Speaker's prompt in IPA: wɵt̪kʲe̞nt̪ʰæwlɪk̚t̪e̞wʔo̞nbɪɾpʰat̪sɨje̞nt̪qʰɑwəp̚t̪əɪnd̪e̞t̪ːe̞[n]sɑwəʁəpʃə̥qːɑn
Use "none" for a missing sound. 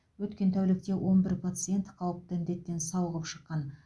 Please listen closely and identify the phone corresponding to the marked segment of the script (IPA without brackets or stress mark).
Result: n